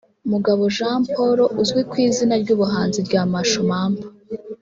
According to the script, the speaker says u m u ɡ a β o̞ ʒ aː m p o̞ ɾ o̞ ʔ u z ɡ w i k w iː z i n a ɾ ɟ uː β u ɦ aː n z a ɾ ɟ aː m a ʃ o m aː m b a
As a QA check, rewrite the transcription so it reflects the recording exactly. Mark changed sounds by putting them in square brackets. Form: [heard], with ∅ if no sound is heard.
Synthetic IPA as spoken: u m u ɡ a β o̞ ʒ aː m p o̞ ɾ o̞ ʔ u z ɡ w i k w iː z i n a ɾ ɟ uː β u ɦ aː n z [i] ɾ ɟ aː m a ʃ o m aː m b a